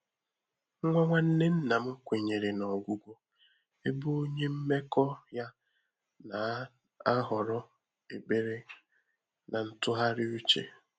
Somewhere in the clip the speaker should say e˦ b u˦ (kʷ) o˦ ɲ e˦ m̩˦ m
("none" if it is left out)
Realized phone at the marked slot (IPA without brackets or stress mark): none